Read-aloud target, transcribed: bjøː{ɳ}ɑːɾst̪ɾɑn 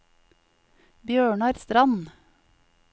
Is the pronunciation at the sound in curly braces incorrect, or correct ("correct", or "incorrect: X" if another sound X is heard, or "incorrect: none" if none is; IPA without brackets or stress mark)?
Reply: correct